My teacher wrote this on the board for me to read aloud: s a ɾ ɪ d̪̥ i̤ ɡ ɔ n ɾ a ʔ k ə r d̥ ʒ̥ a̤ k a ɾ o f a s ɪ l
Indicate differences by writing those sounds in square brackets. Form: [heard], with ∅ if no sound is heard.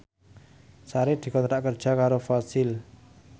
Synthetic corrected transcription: s a ɾ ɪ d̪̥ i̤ [k] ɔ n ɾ a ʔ k ə r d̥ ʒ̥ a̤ k a ɾ o f a s ɪ l